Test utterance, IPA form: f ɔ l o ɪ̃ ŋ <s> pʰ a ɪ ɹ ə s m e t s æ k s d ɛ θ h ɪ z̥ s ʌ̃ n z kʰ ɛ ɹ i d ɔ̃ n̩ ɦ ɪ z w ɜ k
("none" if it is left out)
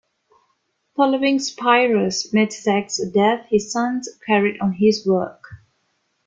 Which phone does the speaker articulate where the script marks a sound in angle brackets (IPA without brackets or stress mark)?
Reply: s